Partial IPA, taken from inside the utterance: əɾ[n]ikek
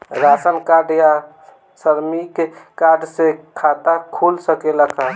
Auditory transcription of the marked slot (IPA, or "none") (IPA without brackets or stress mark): m